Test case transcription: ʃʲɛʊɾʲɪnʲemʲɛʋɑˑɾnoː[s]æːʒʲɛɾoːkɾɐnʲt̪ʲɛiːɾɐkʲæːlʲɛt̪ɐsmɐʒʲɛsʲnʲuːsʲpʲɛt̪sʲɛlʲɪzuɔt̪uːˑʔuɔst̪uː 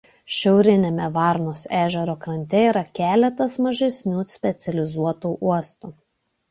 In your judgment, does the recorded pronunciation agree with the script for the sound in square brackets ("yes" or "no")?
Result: yes